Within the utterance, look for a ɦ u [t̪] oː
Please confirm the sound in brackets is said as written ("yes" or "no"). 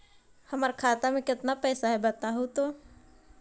yes